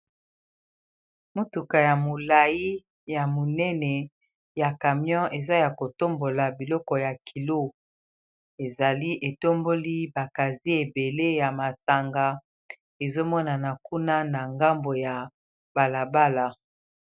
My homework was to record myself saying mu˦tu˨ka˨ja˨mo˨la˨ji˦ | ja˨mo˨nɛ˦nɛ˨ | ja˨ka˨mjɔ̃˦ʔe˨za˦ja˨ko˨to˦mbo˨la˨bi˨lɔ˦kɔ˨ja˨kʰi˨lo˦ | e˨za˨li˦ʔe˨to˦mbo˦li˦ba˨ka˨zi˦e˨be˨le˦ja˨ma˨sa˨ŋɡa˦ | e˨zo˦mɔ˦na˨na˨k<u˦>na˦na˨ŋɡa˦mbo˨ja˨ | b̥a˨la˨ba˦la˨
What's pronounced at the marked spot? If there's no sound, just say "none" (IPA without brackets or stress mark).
u˦